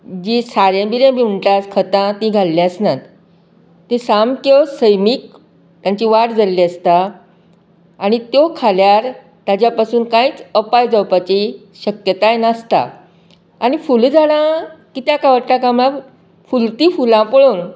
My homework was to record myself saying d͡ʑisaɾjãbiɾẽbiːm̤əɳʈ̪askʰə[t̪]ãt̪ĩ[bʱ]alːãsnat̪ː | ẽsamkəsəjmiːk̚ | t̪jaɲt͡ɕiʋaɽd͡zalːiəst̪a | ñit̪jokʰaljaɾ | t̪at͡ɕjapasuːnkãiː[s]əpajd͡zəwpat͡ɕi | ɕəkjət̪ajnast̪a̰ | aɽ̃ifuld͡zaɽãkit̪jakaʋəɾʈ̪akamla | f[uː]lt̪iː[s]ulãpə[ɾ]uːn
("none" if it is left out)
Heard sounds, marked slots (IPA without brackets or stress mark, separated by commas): t̪, ɡʱ, t͡s, u, f, ɭ